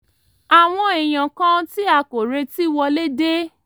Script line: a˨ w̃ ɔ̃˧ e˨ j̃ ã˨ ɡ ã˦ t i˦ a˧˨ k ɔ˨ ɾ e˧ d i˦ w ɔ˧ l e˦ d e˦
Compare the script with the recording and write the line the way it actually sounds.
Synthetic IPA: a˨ w̃ ɔ̃˧ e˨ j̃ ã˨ k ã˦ t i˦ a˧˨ k o˨ ɾ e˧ t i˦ w ɔ˧ l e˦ d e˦